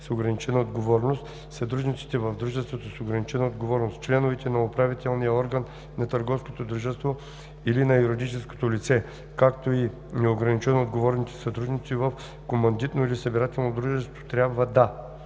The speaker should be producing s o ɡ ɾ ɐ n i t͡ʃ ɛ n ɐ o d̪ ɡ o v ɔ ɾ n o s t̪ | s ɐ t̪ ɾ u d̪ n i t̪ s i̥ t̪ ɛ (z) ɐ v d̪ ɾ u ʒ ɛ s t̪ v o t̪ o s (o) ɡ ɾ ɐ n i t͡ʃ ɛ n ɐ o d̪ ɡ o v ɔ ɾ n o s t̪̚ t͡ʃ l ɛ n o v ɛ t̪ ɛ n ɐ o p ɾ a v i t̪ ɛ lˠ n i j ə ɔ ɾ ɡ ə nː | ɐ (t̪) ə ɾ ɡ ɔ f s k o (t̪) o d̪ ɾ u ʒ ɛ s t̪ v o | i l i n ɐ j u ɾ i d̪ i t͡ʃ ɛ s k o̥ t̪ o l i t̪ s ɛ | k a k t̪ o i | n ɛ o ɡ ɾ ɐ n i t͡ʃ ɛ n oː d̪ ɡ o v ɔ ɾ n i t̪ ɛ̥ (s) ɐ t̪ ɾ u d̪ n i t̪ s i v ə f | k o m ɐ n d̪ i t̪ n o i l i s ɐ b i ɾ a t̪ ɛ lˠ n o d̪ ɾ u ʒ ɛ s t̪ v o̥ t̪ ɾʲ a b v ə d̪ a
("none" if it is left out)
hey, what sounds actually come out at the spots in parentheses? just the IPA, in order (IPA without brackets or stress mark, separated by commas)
v, o, t̪, t̪, s